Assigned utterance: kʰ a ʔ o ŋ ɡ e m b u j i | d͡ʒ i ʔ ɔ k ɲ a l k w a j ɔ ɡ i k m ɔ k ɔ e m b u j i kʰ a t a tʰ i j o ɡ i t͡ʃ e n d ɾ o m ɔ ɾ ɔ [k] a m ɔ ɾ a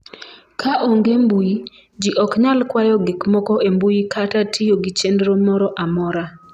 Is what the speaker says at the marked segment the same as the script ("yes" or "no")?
no